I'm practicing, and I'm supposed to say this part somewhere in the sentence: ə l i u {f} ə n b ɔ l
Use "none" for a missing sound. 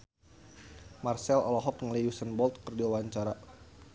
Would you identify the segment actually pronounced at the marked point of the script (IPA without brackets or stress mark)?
s